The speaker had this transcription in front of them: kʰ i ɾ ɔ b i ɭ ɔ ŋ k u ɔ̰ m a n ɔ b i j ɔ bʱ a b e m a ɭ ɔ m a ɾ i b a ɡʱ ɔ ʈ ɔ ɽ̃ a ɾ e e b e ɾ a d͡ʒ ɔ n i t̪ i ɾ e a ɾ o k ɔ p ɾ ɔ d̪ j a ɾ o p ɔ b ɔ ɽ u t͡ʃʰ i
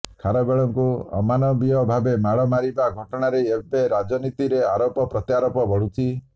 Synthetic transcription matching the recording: kʰ a ɾ ɔ b e ɭ ɔ ŋ k u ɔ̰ m a n ɔ b i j ɔ bʱ a b e m a ɭ ɔ m a ɾ i b a ɡʱ ɔ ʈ ɔ ɽ̃ a ɾ e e b e ɾ a d͡ʒ ɔ n i t̪ i ɾ e a ɾ o p ɔ p ɾ ɔ t̪ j a ɾ o p ɔ b ɔ ɽ u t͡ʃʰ i